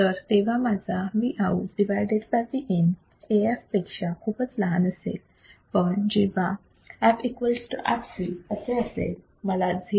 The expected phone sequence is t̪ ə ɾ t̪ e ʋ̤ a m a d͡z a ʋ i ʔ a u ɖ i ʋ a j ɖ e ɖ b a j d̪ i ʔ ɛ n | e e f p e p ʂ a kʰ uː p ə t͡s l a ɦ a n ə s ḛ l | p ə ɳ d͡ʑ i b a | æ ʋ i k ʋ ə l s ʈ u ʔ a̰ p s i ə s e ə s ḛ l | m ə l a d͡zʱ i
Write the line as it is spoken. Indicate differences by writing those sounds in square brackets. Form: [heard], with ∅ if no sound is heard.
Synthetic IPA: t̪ ə ɾ t̪ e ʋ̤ a m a d͡z a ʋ i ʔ a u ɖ i ʋ a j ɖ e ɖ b a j d̪ i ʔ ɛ n | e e f p e [k] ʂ a kʰ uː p ə t͡s l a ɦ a n ə s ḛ l | p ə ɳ d͡ʑ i b a | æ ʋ i k ʋ ə l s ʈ u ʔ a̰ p s i ə s e ə s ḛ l | m ə l a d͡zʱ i